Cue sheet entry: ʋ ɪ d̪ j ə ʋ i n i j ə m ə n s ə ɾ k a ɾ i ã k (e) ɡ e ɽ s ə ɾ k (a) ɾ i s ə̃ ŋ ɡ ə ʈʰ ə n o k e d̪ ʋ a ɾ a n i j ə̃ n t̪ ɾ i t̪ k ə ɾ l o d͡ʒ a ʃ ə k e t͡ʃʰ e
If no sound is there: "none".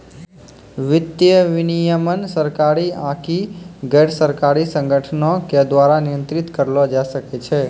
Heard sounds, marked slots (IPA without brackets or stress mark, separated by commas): i, a